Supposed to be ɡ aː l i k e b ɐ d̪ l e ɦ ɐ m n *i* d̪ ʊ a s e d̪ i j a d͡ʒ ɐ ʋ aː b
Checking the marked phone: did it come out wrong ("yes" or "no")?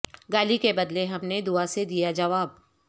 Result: yes